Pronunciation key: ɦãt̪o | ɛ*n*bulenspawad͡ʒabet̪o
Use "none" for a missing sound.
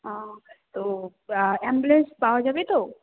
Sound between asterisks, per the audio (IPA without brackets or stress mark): m